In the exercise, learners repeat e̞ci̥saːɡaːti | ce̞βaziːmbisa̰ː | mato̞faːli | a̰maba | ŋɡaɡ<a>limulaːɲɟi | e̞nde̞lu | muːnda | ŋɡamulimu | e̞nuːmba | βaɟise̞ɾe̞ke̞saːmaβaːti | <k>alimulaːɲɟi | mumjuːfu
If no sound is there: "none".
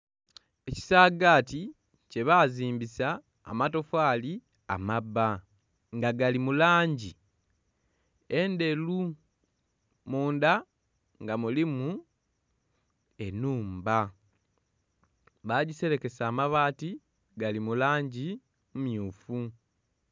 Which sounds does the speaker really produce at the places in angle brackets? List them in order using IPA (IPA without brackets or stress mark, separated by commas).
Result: a, ɡ